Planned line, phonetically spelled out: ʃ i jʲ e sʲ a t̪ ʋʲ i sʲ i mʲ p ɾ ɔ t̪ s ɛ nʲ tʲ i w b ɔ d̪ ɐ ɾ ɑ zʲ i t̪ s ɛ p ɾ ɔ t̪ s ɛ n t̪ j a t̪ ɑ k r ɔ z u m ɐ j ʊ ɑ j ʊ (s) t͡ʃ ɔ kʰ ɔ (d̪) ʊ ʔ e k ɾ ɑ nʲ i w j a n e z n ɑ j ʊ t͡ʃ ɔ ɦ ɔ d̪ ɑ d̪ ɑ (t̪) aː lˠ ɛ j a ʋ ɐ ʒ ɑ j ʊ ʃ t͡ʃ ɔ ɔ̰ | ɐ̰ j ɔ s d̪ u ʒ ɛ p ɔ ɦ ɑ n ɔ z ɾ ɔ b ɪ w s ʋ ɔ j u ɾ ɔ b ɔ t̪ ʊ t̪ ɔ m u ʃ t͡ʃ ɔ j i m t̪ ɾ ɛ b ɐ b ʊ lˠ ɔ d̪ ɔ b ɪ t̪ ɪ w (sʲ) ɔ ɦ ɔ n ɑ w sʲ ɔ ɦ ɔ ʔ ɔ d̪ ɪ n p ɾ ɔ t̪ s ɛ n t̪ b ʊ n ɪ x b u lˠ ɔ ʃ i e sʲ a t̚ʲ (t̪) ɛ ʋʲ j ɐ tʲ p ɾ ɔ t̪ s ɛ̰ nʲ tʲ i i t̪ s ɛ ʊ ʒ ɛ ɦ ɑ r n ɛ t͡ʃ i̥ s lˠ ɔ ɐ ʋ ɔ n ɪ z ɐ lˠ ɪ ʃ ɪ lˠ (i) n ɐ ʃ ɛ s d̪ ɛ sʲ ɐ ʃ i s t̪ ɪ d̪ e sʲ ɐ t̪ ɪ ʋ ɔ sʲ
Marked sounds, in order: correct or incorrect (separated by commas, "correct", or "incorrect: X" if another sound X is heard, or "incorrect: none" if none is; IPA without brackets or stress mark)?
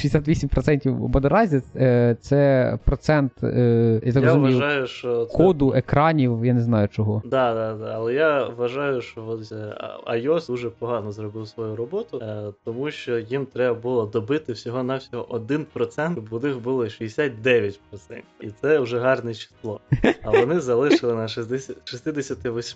incorrect: ʃ, correct, incorrect: d̪, correct, incorrect: d̪, incorrect: ɪ